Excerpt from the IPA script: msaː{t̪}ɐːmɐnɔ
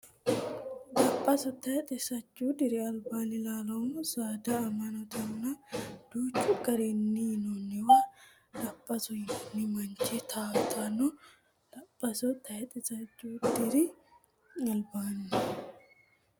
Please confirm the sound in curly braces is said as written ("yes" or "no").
no